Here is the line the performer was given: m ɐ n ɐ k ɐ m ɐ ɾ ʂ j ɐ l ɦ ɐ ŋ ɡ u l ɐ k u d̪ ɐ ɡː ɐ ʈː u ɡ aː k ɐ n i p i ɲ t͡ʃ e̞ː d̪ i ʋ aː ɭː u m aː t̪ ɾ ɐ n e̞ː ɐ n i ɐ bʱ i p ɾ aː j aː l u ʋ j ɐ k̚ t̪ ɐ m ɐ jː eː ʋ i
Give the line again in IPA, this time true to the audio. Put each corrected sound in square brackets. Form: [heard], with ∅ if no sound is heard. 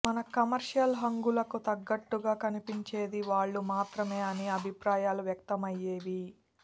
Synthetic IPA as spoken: m ɐ n ɐ k ɐ m ɐ ɾ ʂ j ɐ l ɦ ɐ ŋ ɡ u l ɐ k u [t̪] ɐ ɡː ɐ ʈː u ɡ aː k ɐ n i p i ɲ t͡ʃ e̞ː d̪ i ʋ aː ɭː u m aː t̪ ɾ ɐ [m] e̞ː ɐ n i ɐ bʱ i p ɾ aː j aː l u ʋ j ɐ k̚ t̪ ɐ m ɐ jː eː ʋ i